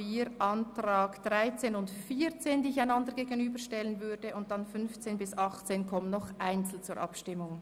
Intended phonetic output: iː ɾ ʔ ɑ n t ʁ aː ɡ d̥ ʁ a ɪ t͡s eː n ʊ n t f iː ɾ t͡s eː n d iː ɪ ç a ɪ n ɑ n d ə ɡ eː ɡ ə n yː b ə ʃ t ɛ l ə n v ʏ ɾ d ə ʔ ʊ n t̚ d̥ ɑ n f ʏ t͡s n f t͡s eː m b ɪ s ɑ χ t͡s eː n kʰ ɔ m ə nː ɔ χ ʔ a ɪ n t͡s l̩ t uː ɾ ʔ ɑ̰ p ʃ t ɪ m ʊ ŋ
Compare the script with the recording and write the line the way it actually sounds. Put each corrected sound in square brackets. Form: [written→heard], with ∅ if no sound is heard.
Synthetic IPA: iː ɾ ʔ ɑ n t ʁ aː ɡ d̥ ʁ a ɪ t͡s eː n ʊ n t f iː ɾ t͡s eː n d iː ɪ ç a ɪ n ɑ n d ə ɡ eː ɡ ə n yː b ə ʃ t ɛ l ə n v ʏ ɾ d ə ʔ ʊ n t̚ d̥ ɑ n f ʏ [t͡s→∅] n f t͡s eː [m→n] b ɪ s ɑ χ t͡s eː n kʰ ɔ m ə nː ɔ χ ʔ a ɪ n t͡s l̩ [t→t͡s] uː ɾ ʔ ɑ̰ p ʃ t ɪ m ʊ ŋ